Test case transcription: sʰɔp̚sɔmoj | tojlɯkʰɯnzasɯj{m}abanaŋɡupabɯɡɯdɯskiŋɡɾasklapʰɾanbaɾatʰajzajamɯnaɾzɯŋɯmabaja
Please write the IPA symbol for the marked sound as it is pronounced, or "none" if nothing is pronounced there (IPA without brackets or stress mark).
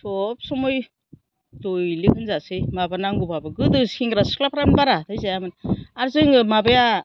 m